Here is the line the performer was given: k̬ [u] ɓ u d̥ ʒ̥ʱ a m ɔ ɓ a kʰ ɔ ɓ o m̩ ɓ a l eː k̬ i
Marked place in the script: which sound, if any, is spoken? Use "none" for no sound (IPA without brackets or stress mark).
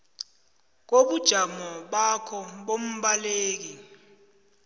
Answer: o